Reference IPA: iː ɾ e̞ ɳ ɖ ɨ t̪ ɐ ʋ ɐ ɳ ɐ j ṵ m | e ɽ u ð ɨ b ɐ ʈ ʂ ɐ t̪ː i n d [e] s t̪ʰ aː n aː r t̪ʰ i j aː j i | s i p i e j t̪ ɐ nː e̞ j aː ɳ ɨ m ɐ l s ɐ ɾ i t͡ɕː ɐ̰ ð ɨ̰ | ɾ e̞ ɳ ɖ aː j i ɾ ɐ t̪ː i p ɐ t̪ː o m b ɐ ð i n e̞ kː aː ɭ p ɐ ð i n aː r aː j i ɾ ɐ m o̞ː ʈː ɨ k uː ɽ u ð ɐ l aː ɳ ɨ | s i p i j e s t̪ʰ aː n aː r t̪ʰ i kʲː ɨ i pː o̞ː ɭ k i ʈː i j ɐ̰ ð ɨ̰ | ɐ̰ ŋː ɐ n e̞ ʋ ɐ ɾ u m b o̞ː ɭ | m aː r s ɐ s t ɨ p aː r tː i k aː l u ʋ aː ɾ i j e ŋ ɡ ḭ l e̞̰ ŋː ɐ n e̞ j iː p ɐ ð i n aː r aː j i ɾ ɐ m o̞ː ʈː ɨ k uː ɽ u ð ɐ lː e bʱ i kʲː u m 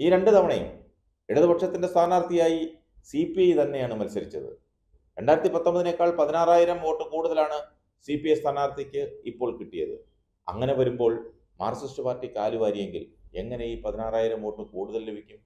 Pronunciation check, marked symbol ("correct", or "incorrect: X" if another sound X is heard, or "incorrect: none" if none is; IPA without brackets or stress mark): correct